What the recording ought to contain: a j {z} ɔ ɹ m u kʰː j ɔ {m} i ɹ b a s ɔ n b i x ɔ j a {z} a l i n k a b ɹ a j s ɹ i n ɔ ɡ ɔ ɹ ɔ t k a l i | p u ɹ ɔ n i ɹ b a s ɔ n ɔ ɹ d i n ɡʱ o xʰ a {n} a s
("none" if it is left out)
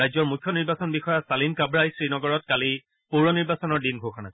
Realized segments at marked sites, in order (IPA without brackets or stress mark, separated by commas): z, n, s, n